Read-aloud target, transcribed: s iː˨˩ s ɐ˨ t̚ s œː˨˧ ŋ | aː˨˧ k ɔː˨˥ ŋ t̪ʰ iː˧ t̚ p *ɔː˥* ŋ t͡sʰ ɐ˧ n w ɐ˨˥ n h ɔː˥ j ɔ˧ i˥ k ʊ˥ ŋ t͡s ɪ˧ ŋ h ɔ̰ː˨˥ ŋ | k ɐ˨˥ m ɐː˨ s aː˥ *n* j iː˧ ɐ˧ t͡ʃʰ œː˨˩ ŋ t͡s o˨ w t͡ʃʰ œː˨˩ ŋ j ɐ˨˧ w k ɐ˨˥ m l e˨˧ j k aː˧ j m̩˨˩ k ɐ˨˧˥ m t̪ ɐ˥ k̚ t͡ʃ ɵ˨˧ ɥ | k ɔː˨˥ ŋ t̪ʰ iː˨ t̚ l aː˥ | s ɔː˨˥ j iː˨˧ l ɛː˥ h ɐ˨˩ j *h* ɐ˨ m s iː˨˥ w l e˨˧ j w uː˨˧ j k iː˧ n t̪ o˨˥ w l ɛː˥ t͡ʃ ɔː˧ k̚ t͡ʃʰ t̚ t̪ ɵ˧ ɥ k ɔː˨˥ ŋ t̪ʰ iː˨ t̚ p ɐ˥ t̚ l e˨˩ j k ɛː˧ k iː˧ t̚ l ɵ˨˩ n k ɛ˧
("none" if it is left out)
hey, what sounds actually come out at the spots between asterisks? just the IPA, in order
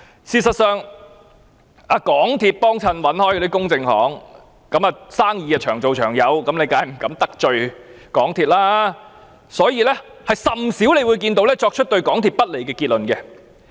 ɔː˥, ŋ, s

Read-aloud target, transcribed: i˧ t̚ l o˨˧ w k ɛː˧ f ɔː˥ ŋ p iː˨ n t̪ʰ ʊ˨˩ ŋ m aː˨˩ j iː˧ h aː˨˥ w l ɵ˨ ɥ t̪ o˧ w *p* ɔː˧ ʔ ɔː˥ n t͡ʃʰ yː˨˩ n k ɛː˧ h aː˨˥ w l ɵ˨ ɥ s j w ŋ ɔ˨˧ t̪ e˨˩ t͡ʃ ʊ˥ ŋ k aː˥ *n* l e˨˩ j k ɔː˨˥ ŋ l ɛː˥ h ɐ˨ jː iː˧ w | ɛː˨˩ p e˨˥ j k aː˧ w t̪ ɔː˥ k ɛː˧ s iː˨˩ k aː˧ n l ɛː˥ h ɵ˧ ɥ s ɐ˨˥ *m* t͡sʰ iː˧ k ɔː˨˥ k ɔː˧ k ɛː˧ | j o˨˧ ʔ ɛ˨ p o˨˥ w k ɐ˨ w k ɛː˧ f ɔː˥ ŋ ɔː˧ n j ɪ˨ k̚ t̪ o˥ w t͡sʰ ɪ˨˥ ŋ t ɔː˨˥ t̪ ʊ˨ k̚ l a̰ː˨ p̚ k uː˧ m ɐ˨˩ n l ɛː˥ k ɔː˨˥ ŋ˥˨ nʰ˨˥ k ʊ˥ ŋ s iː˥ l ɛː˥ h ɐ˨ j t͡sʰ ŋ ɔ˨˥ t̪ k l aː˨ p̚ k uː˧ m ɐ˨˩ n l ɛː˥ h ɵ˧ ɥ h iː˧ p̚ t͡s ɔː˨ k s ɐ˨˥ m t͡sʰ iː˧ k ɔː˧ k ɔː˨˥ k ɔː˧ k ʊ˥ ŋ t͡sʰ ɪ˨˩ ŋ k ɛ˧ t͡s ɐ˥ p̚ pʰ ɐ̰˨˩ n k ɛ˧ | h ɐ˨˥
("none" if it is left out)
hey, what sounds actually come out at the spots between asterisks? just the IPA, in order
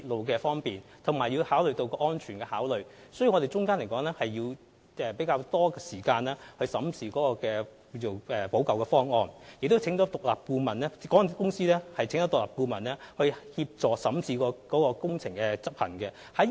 k, n, m

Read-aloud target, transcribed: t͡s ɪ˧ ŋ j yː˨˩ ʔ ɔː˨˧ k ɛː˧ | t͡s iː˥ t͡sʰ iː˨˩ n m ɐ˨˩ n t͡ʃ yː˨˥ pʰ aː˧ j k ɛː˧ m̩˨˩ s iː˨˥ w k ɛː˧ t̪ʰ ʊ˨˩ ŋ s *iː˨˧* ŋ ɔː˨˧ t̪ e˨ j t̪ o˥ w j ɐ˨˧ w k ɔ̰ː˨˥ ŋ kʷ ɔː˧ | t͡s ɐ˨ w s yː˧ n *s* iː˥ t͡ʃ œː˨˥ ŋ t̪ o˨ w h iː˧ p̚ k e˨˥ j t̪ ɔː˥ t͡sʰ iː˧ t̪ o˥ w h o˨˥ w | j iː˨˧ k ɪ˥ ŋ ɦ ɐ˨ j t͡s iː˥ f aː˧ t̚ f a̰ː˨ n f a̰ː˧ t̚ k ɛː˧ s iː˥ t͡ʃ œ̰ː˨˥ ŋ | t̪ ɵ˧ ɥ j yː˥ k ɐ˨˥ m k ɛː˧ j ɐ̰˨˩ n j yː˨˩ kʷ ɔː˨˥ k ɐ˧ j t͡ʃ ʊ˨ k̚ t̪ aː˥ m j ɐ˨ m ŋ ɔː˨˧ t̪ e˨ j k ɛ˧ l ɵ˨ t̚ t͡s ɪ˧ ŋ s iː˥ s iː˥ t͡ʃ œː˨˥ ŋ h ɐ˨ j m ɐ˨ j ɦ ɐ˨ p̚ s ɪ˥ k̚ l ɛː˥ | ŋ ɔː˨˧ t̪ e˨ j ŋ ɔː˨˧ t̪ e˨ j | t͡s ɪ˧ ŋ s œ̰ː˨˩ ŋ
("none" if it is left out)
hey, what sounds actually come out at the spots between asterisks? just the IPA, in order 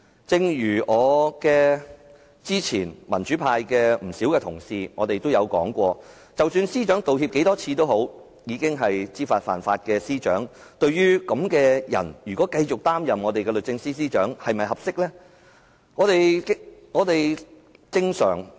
iː˨˧, s

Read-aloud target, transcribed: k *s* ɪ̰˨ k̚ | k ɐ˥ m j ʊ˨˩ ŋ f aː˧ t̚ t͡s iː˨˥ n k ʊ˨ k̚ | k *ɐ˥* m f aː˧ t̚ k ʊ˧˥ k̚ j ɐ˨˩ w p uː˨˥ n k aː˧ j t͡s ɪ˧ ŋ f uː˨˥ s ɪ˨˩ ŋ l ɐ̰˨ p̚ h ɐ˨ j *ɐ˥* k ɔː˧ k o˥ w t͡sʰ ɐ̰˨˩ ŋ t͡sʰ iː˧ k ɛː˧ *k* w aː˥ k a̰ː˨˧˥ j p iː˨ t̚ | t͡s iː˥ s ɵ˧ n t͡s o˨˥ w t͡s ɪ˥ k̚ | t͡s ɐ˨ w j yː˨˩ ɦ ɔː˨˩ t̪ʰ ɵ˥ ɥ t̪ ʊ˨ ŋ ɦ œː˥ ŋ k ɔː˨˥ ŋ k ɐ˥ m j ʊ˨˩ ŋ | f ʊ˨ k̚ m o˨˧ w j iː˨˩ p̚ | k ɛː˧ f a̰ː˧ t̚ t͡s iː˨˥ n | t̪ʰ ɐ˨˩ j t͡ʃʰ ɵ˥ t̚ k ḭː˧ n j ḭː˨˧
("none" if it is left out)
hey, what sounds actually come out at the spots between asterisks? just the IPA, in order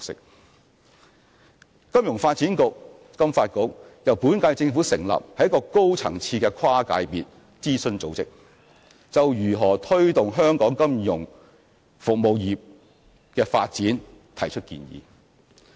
s, ɐ˥, ɐ˥, kʰ

